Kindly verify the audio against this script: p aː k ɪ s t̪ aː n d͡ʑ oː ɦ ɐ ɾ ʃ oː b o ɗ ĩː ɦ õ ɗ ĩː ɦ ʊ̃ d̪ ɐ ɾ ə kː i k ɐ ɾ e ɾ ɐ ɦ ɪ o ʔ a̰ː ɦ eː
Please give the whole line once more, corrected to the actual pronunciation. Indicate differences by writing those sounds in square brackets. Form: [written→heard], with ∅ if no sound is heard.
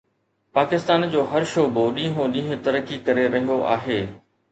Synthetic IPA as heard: p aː k ɪ s t̪ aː n d͡ʑ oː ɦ ɐ ɾ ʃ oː b o ɗ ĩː ɦ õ ɗ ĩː ɦ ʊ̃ [d̪→t̪] ɐ ɾ ə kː i k ɐ ɾ e ɾ ɐ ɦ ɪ o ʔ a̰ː ɦ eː